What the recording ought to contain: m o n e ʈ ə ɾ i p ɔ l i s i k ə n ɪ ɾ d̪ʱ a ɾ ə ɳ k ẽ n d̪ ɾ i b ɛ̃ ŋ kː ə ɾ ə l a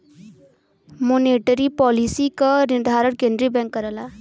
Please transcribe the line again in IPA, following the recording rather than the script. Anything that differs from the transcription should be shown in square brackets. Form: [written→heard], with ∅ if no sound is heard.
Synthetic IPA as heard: m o n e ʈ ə ɾ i p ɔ l i s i k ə n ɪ ɾ d̪ʱ a ɾ ə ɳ k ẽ n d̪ ɾ i b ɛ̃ ŋ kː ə ɾ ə l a